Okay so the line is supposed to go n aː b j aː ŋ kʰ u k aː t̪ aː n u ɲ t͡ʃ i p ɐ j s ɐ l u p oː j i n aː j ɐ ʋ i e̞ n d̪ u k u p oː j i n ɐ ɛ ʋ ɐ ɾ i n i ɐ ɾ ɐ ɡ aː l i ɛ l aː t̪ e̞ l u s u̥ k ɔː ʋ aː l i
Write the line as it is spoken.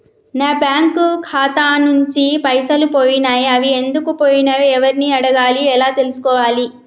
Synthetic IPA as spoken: n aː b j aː ŋ k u kʰ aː t̪ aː n u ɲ t͡ʃ i p ɐ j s ɐ l u p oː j i n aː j ɐ ʋ i e̞ n d̪ u k u p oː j i n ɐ ɛ ʋ ɐ ɾ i n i ɐ ɽ ɐ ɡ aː l i ɛ l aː t̪ e̞ l u s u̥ k ɔː ʋ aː l i